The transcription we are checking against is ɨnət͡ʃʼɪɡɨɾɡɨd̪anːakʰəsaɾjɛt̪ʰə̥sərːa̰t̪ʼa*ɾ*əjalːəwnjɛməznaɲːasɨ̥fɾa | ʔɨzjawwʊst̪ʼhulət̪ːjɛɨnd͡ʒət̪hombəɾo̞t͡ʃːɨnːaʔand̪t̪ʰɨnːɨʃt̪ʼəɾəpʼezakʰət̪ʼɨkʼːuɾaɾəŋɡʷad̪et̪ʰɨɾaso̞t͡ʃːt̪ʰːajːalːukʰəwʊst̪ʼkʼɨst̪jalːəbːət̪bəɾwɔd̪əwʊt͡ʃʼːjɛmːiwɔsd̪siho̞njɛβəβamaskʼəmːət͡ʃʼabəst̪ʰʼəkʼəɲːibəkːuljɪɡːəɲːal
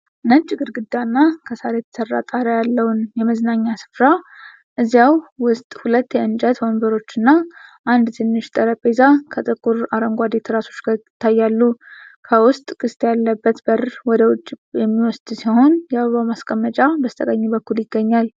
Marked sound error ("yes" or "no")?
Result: no